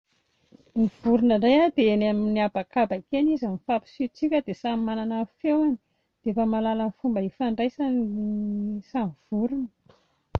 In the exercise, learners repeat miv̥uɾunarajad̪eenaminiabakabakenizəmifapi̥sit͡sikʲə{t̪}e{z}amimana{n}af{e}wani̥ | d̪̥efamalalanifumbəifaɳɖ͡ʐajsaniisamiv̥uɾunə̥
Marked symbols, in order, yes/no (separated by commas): no, no, yes, yes